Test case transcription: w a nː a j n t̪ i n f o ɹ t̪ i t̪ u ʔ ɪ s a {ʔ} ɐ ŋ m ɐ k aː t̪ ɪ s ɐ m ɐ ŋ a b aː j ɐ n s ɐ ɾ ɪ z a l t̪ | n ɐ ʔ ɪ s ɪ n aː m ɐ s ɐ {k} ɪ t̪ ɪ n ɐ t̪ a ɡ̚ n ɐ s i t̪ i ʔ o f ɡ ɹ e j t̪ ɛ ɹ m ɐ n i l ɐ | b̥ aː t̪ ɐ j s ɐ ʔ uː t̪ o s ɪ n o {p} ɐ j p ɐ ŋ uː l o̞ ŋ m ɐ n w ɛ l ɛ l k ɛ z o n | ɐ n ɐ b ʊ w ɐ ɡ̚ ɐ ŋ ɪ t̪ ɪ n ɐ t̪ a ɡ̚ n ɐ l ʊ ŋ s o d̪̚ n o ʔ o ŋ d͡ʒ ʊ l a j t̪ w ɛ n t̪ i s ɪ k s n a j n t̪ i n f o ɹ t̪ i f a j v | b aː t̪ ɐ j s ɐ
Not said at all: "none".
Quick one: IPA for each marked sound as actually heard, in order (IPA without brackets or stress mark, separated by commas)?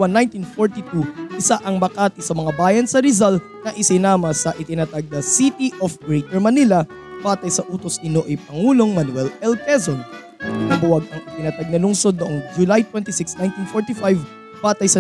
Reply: ʔ, ʔ, ʔ